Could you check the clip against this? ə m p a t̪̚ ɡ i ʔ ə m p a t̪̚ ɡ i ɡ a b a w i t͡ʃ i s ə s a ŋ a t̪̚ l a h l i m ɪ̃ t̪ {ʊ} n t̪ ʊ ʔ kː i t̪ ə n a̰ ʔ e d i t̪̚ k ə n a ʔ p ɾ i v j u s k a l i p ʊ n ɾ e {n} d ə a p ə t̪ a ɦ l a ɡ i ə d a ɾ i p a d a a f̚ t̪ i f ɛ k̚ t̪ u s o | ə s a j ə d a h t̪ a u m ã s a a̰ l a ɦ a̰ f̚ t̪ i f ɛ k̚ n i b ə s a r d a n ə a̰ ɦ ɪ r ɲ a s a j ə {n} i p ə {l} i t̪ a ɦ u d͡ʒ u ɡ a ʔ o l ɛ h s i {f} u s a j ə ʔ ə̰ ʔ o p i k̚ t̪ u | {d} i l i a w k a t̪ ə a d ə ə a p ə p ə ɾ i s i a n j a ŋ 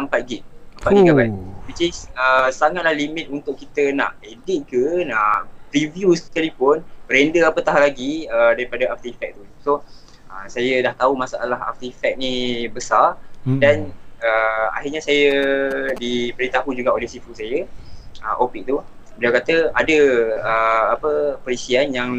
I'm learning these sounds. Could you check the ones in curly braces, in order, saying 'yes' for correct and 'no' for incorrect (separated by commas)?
no, yes, no, no, yes, no